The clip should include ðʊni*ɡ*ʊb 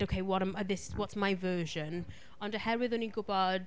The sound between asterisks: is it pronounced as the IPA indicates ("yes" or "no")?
yes